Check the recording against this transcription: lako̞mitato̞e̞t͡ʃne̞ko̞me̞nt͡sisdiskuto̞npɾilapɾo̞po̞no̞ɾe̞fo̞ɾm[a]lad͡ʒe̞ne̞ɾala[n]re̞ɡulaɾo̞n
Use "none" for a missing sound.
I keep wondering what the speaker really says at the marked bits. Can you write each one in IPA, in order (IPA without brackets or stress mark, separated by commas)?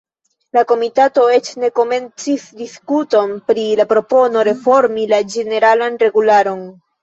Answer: i, n